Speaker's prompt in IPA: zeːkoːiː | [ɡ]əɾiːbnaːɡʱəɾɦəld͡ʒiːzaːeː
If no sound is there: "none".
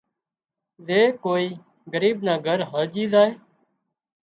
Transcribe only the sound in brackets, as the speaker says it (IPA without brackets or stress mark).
ɡ